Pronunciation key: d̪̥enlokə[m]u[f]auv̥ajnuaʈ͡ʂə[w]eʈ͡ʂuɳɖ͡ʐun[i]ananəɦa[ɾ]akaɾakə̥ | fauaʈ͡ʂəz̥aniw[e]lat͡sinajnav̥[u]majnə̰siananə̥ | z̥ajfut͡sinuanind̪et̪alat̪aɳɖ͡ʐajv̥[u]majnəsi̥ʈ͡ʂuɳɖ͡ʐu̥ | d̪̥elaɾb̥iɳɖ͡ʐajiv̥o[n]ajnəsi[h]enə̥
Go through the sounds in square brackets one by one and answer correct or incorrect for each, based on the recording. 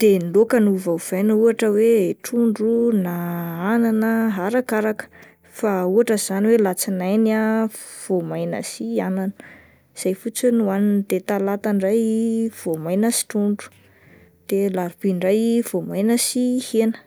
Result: incorrect: n, incorrect: v, correct, incorrect: a, correct, correct, incorrect: o, incorrect: o, incorrect: m, correct

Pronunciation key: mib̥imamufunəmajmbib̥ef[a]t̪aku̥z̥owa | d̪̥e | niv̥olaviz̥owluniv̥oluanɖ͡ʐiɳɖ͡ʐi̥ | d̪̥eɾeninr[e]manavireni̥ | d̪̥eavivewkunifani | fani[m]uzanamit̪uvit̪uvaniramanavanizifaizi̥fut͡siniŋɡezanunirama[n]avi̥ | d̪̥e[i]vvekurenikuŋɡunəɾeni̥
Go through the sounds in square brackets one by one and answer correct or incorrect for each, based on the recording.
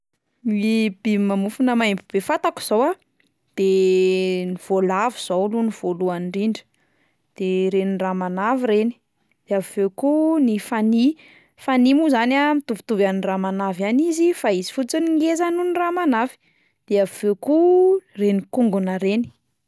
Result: correct, incorrect: a, correct, correct, incorrect: a

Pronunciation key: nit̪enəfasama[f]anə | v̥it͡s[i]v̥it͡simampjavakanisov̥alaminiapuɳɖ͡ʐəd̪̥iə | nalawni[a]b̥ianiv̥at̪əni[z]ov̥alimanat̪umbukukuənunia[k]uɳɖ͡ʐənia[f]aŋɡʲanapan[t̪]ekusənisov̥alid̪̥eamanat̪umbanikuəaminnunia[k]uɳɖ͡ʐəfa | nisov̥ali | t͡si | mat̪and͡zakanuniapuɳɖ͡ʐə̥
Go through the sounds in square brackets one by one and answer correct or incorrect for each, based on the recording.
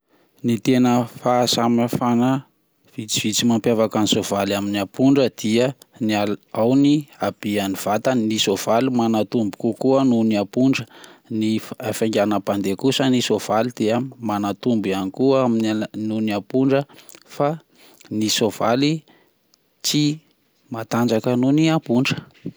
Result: correct, correct, correct, incorrect: s, incorrect: p, correct, incorrect: d̪, incorrect: p

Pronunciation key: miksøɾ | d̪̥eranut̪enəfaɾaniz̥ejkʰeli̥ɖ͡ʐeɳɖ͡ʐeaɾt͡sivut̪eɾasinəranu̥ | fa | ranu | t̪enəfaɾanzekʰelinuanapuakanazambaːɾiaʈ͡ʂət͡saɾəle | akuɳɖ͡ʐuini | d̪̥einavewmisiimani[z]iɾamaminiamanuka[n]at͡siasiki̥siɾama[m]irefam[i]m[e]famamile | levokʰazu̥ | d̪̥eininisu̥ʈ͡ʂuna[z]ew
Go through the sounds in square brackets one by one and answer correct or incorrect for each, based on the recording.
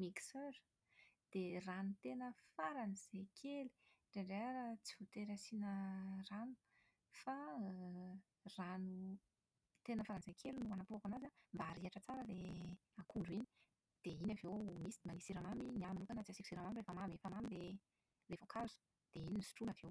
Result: incorrect: s, correct, correct, incorrect: a, correct, incorrect: v

